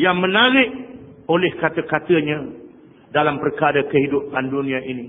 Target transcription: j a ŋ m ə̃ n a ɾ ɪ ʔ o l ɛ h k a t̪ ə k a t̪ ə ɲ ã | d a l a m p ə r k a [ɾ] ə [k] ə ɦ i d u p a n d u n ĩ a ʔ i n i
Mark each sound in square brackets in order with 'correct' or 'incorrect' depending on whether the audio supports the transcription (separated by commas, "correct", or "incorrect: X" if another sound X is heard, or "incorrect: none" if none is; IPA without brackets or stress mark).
correct, correct